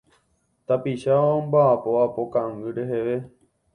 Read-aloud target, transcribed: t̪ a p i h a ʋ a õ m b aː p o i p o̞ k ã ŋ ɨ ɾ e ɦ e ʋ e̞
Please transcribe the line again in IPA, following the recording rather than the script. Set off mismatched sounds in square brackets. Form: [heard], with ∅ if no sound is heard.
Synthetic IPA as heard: t̪ a p i [ʃ] a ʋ a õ m b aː p o [a] p o̞ k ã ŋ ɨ ɾ e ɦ e ʋ e̞